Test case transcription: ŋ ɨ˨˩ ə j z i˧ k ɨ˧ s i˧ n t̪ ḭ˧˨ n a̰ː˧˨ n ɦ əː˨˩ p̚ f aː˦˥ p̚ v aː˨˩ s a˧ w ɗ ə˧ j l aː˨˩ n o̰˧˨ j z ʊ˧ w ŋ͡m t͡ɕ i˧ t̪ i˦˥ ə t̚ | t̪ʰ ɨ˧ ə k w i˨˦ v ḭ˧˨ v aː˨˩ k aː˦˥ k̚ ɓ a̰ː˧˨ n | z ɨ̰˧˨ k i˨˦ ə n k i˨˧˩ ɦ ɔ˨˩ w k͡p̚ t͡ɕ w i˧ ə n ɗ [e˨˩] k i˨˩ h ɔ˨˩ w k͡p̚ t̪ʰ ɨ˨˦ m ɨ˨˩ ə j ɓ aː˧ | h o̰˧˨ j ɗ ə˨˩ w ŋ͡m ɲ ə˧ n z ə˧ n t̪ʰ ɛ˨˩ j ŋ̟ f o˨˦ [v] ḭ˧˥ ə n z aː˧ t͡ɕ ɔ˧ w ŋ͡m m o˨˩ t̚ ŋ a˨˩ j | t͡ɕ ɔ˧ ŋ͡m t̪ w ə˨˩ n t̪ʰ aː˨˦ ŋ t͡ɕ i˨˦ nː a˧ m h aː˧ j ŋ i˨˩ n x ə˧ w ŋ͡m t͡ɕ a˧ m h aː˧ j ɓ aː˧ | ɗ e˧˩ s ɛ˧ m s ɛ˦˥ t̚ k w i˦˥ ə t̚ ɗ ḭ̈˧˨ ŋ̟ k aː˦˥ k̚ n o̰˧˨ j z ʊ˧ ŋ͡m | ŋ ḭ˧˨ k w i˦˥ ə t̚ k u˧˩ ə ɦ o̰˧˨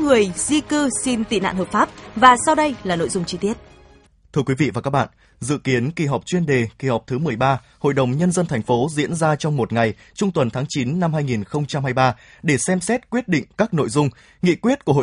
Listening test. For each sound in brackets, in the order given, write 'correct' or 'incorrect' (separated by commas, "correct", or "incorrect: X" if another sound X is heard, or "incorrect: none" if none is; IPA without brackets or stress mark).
correct, incorrect: z